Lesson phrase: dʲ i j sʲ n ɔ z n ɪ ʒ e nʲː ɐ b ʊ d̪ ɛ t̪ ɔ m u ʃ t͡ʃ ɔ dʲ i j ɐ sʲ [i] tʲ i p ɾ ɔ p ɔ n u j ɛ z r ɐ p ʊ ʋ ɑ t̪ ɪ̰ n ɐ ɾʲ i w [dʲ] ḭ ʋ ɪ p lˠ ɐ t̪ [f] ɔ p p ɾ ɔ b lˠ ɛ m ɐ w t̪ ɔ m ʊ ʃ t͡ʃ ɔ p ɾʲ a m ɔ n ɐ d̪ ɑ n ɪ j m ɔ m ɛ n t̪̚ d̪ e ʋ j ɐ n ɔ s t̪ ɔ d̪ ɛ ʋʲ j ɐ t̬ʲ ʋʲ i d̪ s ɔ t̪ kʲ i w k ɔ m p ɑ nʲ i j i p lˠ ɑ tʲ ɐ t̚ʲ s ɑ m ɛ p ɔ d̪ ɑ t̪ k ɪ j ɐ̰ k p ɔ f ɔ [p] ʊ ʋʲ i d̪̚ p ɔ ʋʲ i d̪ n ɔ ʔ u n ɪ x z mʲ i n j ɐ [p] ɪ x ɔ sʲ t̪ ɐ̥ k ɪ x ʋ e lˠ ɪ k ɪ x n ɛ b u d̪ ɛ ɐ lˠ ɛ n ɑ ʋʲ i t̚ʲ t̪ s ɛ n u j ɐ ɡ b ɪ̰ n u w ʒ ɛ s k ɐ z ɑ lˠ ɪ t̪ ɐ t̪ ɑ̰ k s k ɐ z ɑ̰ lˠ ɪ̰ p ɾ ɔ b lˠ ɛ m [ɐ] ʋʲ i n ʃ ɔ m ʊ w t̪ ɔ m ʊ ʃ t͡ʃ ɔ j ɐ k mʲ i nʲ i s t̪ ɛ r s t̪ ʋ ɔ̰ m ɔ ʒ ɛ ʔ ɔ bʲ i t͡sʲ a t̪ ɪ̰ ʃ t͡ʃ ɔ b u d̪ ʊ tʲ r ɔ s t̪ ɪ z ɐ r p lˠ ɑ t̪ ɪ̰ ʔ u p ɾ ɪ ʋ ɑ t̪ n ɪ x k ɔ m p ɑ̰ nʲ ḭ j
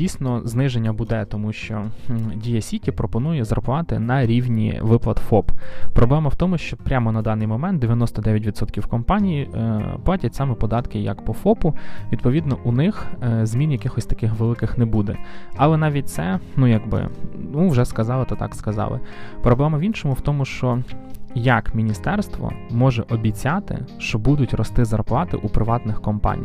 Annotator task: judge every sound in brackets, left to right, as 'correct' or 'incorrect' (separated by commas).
correct, incorrect, correct, correct, incorrect, correct